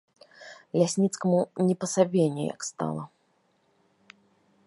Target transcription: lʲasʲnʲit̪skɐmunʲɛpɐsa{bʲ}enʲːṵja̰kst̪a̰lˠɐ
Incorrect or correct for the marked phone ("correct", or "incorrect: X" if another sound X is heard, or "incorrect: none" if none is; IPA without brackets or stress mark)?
correct